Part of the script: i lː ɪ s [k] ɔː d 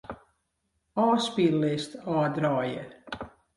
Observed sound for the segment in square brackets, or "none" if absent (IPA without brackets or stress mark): t